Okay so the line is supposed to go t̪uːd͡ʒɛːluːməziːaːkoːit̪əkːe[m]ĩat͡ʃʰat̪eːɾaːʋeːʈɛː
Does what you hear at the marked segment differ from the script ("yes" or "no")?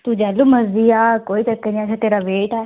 yes